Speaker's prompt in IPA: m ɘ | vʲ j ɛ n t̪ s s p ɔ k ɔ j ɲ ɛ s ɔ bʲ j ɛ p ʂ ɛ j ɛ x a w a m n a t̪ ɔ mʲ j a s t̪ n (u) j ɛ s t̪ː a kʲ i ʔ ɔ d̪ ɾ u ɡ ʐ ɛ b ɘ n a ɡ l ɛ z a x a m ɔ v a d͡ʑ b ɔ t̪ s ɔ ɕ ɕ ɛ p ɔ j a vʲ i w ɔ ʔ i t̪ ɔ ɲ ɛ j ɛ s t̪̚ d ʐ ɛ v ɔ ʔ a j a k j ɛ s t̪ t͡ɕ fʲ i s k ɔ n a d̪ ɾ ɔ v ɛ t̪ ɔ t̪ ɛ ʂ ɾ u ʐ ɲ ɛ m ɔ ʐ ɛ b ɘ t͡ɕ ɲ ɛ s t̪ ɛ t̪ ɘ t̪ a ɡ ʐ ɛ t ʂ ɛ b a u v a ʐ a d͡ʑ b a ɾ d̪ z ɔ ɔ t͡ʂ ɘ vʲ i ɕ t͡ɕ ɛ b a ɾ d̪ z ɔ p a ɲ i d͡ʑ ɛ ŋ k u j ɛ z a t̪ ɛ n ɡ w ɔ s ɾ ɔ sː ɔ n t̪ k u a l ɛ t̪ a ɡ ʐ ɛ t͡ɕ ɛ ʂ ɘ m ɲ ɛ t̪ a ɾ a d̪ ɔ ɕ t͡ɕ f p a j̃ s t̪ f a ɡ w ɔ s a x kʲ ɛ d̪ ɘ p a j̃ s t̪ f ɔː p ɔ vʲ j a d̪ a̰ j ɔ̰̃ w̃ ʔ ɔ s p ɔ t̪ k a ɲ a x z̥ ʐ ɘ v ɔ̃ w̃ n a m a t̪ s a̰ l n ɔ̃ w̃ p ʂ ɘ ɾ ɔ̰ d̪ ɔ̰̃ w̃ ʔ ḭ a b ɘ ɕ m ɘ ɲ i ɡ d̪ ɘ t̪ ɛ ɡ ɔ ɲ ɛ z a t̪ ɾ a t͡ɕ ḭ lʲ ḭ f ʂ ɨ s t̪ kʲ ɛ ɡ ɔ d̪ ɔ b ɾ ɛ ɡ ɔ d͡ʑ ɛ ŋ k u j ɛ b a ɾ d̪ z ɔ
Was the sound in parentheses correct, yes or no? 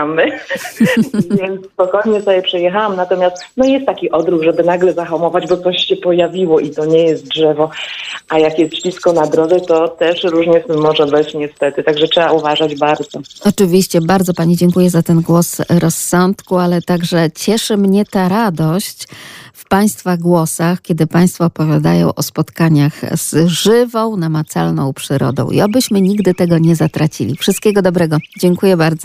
no